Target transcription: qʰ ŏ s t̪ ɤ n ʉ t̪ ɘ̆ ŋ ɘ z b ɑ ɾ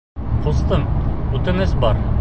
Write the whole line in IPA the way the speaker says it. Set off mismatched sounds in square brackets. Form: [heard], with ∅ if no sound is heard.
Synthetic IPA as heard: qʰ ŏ s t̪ ɤ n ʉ t̪ ɘ̆ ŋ ɘ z b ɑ ɾ